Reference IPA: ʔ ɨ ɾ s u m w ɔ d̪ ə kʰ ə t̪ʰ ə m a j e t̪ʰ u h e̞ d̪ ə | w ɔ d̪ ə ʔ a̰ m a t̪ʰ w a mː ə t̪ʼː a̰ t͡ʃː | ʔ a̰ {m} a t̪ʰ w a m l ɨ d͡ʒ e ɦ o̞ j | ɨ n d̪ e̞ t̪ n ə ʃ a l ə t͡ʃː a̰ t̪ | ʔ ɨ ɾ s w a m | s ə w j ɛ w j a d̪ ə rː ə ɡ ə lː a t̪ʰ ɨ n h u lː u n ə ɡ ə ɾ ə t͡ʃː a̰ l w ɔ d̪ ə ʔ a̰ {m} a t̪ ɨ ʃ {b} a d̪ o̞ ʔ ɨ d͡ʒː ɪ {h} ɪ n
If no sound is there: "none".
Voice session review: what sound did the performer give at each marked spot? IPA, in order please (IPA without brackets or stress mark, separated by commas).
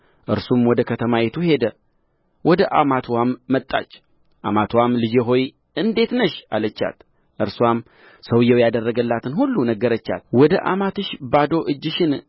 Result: m, m, b, ʃ